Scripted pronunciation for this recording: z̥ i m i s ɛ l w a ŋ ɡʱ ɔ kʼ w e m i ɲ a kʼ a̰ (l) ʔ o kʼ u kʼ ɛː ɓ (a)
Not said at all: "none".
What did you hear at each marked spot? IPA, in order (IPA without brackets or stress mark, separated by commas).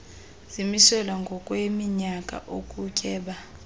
none, a